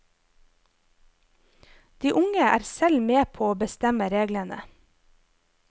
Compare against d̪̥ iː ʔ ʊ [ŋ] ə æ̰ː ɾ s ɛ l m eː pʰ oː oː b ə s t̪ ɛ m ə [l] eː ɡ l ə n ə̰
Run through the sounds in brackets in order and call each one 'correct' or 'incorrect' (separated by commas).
correct, incorrect